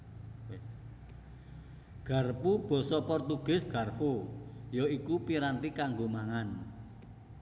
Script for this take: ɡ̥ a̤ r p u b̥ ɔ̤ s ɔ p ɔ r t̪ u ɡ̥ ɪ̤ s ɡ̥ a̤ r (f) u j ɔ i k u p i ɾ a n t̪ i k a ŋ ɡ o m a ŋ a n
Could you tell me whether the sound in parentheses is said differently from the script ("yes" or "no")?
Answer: no